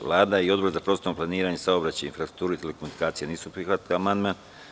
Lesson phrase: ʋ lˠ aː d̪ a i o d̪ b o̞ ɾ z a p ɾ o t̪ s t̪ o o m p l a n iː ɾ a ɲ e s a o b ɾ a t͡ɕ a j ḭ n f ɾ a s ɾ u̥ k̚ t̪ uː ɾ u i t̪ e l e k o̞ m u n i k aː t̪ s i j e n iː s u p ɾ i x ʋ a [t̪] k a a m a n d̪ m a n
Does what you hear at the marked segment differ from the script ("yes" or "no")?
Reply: no